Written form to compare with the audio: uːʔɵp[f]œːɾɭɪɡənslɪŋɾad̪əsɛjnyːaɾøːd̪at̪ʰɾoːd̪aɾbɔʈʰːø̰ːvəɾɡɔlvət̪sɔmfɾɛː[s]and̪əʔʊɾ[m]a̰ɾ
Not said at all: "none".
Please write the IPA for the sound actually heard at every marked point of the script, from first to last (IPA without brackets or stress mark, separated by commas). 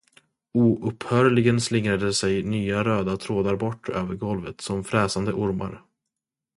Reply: h, s, m